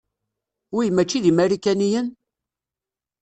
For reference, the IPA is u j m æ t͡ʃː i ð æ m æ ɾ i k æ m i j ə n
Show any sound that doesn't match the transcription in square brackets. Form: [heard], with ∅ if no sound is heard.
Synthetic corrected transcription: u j m æ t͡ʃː i ð [i] m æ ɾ i k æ [n] i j ə n